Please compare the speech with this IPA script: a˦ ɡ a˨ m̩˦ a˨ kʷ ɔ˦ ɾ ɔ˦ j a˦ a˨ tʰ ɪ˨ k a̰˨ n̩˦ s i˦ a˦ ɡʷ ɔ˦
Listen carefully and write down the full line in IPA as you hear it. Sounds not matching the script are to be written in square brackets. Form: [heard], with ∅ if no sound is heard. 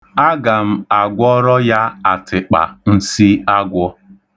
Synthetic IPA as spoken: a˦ ɡ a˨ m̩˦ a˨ [ɡʷ] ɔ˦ ɾ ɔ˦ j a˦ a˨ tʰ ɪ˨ [k͡p] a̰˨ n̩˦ s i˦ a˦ ɡʷ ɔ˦